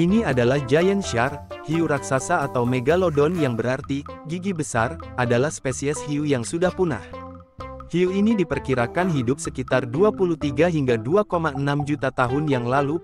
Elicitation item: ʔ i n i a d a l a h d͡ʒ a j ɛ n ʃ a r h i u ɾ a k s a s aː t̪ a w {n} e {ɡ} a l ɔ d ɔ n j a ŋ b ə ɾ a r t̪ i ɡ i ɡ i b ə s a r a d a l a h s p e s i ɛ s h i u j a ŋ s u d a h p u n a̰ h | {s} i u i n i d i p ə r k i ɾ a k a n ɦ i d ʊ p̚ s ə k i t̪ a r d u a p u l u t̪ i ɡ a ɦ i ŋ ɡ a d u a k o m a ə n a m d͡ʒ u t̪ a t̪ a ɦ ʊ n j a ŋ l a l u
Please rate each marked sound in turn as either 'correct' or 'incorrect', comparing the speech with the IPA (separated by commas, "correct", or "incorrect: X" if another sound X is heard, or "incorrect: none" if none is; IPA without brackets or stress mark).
incorrect: m, correct, incorrect: h